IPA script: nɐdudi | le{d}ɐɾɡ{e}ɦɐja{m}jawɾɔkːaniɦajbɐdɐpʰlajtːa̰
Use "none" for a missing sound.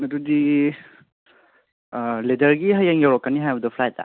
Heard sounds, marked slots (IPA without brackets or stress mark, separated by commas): d, i, ŋ